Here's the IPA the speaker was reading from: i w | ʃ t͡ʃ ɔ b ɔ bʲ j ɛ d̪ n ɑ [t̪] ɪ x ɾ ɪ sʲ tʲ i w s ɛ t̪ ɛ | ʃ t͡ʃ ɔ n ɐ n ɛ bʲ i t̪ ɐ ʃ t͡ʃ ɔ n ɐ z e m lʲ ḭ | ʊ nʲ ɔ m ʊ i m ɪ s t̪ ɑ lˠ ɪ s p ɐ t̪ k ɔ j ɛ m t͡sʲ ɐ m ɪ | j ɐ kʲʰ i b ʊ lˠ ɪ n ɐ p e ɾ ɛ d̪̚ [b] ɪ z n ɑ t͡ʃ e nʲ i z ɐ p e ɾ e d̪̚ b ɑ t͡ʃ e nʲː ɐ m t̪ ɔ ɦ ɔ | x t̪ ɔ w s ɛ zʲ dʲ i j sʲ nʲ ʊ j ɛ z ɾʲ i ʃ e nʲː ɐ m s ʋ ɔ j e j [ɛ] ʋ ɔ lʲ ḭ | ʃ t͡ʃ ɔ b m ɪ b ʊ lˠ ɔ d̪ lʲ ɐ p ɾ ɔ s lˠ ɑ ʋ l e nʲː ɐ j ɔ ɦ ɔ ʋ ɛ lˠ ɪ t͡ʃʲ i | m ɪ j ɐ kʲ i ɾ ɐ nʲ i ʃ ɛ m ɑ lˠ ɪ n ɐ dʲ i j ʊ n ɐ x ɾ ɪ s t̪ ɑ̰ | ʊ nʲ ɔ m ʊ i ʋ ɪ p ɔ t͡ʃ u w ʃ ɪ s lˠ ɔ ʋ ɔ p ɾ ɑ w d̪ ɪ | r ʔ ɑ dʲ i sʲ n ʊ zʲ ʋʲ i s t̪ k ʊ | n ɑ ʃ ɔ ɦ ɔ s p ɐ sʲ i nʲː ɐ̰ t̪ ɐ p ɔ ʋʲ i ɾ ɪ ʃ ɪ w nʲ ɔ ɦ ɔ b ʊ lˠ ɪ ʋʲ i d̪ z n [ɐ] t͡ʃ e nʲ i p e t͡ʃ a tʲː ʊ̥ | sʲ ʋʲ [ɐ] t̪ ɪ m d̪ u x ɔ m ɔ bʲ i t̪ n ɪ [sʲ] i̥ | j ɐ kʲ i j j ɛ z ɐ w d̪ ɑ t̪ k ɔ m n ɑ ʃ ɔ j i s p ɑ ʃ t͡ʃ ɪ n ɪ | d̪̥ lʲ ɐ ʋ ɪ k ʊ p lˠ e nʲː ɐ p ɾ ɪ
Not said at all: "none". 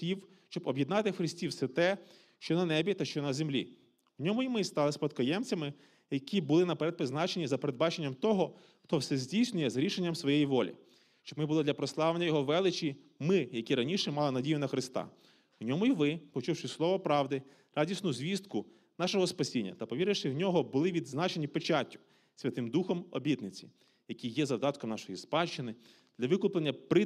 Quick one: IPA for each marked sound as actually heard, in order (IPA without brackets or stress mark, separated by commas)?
t̪, p, i, ɑ, ɐ, t͡sʲ